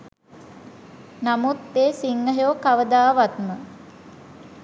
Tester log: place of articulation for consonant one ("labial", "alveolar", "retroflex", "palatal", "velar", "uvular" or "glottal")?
alveolar